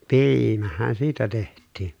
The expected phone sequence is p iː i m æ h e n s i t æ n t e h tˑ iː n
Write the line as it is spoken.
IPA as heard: p iː i m æ h æ n s iː t æ t e h tˑ iː n